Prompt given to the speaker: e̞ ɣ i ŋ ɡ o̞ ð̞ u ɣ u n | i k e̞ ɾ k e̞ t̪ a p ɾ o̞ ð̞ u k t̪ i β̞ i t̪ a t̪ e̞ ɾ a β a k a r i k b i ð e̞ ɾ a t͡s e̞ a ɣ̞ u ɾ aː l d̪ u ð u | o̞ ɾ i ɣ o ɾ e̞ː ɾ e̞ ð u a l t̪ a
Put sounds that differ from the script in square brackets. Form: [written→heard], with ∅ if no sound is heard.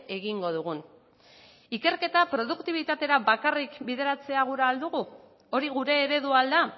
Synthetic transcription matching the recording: e̞ ɣ i ŋ ɡ o̞ ð̞ u ɣ u n | i k e̞ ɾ k e̞ t̪ a p ɾ o̞ ð̞ u k t̪ i β̞ i t̪ a t̪ e̞ ɾ a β a k a r i k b i ð e̞ ɾ a t͡s e̞ a ɣ̞ u ɾ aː l d̪ u [ð→ɣ] u | o̞ ɾ i ɣ [o→u] ɾ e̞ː ɾ e̞ ð u a l [t̪→d̪] a